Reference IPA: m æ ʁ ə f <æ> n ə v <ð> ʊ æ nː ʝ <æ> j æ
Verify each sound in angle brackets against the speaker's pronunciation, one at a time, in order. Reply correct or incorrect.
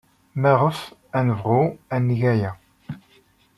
correct, incorrect: ʁ, correct

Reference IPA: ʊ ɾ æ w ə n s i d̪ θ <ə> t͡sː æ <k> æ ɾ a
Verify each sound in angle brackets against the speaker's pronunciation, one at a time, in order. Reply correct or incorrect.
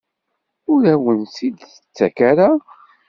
correct, correct

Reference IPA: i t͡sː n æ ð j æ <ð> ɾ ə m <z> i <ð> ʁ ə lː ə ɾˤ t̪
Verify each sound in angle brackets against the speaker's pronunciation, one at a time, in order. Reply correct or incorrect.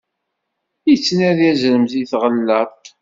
incorrect: z, correct, incorrect: θ

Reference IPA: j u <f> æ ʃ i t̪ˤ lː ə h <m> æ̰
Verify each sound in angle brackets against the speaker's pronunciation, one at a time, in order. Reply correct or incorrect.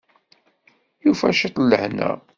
correct, incorrect: n

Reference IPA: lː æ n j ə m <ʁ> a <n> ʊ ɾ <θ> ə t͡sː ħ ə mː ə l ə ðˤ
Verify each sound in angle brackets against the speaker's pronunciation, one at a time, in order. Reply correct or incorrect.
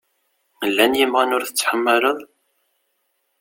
correct, correct, correct

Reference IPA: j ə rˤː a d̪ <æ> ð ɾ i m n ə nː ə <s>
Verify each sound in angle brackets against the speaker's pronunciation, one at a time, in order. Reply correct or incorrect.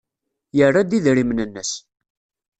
incorrect: i, correct

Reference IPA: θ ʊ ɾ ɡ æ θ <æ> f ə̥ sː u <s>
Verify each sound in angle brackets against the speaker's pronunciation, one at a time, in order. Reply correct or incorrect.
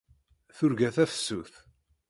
correct, incorrect: θ

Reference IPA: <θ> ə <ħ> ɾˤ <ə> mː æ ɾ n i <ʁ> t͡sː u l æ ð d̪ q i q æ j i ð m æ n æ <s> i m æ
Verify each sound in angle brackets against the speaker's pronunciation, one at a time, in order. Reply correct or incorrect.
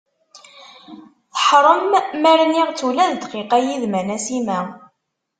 correct, correct, correct, correct, correct

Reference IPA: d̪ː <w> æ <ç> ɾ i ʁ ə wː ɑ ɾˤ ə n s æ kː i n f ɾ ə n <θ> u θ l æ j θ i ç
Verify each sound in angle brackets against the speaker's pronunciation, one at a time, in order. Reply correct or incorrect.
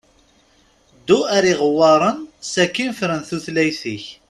incorrect: u, incorrect: none, correct

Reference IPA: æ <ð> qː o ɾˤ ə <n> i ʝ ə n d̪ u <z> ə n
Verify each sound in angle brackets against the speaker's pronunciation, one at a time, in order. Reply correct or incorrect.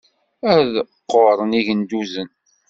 correct, correct, correct

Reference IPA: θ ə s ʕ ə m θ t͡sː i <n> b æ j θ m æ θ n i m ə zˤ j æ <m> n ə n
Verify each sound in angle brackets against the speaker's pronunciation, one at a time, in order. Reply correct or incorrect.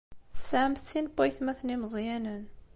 correct, incorrect: none

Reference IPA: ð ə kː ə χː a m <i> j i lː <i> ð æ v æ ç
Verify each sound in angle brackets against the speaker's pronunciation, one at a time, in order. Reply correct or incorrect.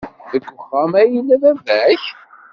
incorrect: æ, incorrect: æ

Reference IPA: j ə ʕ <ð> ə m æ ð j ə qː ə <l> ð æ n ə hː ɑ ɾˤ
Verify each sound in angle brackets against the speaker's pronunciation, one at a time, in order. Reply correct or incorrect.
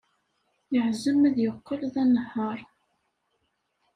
incorrect: z, correct

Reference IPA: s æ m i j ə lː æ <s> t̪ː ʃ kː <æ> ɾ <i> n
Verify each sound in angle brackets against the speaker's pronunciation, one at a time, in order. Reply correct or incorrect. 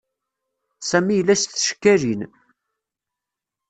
correct, correct, correct

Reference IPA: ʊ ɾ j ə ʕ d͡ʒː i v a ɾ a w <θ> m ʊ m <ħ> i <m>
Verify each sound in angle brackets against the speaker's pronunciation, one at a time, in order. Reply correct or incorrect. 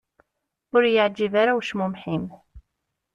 incorrect: ʃ, correct, correct

